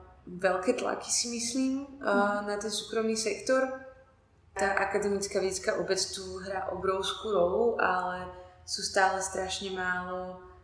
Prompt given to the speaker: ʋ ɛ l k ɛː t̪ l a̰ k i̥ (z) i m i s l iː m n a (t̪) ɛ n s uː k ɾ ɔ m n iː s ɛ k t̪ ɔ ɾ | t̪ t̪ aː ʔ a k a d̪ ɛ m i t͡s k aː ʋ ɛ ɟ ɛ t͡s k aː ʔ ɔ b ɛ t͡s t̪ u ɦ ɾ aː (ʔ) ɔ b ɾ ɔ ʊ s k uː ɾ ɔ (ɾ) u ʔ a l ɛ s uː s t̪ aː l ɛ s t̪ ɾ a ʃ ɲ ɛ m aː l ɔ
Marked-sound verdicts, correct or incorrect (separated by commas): incorrect, correct, correct, incorrect